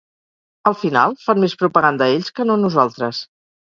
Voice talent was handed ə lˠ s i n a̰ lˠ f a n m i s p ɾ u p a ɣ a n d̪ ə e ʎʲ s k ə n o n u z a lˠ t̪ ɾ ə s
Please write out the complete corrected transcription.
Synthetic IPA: ə lˠ f i n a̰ lˠ f a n m e s p ɾ u p ə ɣ a n d̪ ə e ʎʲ s k ə n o n u z a lˠ t̪ ɾ ə s